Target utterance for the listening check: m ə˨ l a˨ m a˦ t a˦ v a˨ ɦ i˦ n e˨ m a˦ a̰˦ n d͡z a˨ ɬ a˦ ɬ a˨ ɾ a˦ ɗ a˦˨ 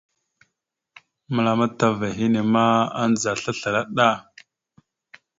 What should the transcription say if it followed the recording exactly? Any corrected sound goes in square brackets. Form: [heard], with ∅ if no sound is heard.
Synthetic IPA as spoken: m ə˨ l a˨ m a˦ t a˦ v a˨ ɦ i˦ n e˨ m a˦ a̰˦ n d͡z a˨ ɬ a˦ ɬ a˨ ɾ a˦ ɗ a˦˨